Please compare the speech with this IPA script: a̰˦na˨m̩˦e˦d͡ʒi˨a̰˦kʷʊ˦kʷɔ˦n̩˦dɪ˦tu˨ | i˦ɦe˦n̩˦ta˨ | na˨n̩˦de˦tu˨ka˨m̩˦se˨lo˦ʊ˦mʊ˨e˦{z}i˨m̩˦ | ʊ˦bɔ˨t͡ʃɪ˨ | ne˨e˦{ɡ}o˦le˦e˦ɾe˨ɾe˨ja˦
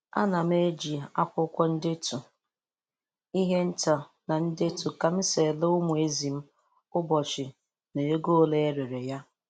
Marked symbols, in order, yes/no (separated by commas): yes, yes